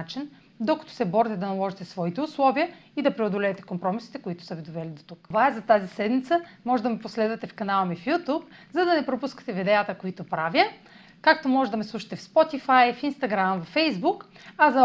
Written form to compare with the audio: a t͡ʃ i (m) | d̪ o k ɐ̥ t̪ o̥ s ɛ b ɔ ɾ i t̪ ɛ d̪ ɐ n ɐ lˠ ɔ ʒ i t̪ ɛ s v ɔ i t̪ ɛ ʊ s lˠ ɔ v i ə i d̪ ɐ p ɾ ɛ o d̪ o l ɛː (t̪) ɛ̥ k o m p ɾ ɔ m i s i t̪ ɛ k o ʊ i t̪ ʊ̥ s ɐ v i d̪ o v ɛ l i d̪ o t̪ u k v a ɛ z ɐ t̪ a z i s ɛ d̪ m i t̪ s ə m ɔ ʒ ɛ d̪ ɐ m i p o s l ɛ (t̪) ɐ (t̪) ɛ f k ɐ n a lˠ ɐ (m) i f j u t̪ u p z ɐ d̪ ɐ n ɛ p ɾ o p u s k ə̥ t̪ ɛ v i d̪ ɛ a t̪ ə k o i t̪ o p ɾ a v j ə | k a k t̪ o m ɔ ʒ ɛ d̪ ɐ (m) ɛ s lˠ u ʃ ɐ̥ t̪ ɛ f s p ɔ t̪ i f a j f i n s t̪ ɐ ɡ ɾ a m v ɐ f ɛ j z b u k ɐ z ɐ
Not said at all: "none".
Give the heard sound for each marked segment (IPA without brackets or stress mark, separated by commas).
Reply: n, t̪, d̪, t̪, m, m